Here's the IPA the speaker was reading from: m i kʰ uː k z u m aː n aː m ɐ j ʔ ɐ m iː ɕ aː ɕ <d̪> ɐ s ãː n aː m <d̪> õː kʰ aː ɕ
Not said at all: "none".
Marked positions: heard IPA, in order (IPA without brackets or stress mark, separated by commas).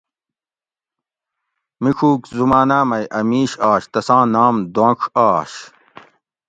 t̪, d̪